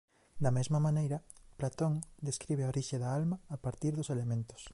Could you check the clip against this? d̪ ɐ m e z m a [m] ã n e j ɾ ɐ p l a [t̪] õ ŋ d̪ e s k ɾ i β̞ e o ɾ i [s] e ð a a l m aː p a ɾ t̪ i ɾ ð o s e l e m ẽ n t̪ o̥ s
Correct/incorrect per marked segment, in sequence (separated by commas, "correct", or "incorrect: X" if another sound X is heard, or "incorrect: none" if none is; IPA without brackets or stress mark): correct, correct, incorrect: ʃ